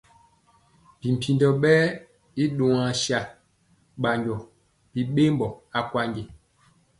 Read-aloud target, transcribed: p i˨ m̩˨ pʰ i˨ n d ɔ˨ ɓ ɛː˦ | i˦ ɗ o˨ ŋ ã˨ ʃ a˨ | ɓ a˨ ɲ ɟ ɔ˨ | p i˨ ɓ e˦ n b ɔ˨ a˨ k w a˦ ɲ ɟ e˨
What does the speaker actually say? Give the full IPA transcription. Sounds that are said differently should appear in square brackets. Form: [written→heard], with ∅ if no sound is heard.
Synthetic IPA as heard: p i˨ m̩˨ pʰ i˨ n d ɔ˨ ɓ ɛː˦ | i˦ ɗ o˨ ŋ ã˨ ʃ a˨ | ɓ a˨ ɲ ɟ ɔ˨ | p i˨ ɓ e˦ [n→m] b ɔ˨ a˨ k w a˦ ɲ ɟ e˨